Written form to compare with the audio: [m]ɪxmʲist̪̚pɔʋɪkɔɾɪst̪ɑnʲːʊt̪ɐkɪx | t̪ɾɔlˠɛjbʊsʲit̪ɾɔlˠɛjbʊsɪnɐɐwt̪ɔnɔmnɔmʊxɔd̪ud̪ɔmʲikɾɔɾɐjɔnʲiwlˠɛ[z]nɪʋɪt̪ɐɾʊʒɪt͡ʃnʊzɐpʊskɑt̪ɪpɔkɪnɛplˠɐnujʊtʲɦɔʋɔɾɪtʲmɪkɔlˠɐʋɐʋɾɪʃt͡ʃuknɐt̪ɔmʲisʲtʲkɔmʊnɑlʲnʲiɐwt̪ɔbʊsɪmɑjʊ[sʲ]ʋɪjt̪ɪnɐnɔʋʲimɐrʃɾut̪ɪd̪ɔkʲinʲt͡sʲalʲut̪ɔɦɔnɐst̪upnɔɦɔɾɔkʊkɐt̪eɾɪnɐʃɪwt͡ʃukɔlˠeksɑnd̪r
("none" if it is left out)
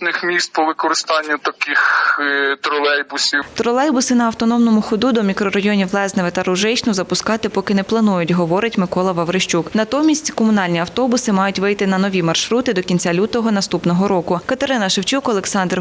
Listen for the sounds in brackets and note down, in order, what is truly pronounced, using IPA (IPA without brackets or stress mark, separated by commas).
n, z, tʲ